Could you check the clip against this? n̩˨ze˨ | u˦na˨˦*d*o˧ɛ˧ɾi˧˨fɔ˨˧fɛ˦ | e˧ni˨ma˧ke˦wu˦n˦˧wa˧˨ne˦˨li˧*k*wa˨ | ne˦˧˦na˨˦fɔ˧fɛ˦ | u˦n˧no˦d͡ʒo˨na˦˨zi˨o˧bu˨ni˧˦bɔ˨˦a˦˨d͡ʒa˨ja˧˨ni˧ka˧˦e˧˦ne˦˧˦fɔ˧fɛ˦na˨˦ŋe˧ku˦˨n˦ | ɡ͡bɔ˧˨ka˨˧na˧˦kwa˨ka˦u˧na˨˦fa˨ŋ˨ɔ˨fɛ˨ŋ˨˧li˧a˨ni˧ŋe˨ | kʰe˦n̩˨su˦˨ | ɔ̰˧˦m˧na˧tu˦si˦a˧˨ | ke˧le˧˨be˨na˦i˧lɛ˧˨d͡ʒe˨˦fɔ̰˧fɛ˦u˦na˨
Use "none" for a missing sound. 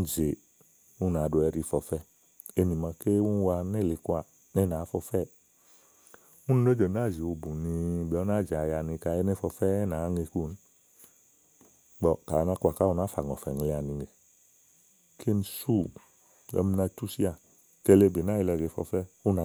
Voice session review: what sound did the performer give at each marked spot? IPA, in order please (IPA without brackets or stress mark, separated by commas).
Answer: d, k